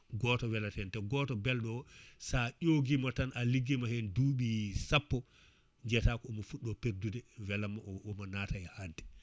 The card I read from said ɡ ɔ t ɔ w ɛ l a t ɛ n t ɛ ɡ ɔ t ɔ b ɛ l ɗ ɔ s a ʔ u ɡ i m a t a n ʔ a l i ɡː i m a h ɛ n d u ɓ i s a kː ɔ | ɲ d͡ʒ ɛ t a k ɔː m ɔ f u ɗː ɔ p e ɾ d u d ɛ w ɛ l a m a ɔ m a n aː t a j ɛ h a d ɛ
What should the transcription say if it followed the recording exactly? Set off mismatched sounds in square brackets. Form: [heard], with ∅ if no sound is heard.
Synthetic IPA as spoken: ɡ ɔ t ɔ w ɛ l a t ɛ n t ɛ ɡ ɔ t ɔ b ɛ l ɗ ɔ s a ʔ [o] ɡ i m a t a n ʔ a l i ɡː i m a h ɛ n d u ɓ i s a [pː] ɔ | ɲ d͡ʒ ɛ t a k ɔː m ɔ f u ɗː ɔ p e ɾ d u d ɛ w ɛ l a m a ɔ m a n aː t a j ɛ h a d ɛ